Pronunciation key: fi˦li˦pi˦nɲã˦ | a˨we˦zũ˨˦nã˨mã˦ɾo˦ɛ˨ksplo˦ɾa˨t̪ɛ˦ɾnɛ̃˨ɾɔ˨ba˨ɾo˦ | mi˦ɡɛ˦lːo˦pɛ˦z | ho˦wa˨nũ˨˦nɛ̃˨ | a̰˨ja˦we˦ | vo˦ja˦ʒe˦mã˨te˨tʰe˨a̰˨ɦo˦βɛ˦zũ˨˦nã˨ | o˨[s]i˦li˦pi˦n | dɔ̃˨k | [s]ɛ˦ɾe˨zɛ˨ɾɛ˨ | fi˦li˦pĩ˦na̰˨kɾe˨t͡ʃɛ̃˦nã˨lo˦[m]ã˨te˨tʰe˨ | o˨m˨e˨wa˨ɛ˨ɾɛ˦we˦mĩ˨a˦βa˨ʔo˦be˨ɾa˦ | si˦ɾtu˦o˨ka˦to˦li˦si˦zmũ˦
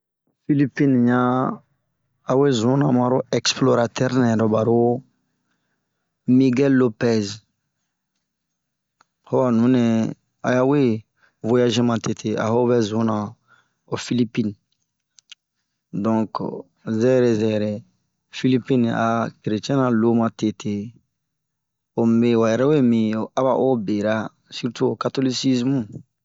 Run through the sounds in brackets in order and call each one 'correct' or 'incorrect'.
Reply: incorrect, incorrect, correct

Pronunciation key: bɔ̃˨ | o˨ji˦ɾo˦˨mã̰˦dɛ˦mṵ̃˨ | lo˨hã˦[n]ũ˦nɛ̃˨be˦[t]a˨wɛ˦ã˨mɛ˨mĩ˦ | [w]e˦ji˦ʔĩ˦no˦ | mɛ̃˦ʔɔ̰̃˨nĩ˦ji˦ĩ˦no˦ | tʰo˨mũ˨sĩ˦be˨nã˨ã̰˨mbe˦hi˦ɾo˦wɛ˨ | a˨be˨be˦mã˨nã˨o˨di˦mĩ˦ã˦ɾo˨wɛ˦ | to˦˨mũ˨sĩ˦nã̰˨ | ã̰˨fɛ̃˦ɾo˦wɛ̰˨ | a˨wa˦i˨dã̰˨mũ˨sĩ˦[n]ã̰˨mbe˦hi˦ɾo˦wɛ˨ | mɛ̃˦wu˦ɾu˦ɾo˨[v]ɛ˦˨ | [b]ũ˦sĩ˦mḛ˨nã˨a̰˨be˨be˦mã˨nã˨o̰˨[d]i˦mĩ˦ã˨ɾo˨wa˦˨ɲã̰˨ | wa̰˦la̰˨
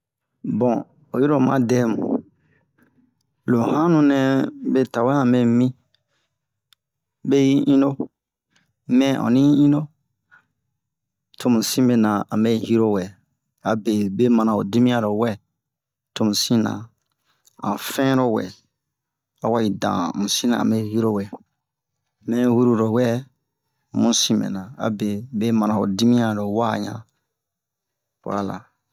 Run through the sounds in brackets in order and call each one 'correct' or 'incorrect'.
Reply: correct, correct, incorrect, correct, incorrect, incorrect, correct

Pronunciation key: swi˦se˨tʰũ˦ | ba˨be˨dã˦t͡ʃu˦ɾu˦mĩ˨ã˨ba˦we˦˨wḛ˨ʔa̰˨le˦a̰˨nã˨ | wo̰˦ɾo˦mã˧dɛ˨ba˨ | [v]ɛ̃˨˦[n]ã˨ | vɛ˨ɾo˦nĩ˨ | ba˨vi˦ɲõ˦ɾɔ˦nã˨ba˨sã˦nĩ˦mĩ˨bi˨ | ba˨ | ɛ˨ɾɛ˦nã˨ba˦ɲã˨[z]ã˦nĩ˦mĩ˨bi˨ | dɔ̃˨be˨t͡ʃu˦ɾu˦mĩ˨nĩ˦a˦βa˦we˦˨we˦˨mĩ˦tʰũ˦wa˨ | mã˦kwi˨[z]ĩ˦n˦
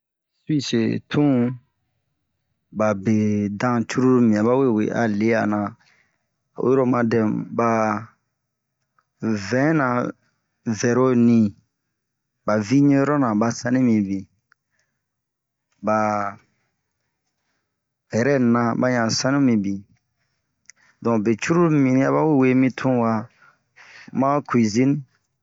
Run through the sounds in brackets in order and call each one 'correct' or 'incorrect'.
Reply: correct, correct, incorrect, correct

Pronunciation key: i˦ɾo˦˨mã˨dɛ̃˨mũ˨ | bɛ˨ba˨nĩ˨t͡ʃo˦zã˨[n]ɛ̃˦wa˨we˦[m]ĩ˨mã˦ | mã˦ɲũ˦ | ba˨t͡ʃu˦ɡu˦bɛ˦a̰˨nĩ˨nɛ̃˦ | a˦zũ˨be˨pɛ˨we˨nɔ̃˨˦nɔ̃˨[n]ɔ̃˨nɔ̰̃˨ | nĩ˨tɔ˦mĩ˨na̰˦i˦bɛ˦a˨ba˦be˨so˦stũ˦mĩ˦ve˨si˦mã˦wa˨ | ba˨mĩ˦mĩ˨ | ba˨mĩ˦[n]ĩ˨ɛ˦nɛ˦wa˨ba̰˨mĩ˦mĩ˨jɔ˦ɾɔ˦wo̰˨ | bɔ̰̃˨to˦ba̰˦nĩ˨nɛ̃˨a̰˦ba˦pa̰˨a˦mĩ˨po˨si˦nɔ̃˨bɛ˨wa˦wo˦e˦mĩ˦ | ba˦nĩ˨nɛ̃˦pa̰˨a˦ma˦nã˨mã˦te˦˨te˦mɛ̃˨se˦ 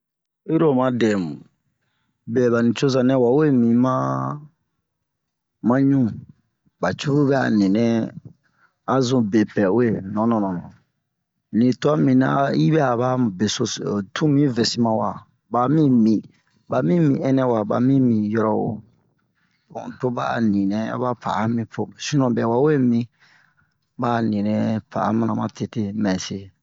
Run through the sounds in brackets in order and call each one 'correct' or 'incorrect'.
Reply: correct, correct, correct, incorrect

